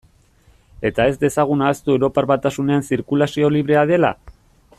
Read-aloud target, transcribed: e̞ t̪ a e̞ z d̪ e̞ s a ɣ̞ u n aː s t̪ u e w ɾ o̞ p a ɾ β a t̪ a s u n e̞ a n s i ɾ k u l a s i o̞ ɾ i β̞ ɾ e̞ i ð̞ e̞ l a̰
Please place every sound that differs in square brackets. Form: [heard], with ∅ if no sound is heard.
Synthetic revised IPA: e̞ t̪ a e̞ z d̪ e̞ s a ɣ̞ u n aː s t̪ u e w ɾ o̞ p a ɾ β a t̪ a s u n e̞ a n s i ɾ k u l a s i o̞ [l] i β̞ ɾ e̞ [a] ð̞ e̞ l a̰